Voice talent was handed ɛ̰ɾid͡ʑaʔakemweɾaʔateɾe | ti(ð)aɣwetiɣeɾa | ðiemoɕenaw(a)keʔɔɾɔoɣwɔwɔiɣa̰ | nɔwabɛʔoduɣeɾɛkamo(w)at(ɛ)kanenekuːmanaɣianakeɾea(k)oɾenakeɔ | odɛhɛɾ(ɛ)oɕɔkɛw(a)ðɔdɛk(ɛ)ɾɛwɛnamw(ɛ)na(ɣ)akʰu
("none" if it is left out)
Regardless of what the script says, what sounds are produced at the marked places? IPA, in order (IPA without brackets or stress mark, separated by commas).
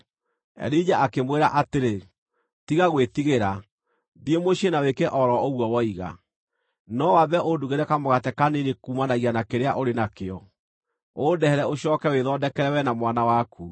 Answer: ɣ, e, ɣ, ɛ, ʔ, ɛ, e, ɛ, a, w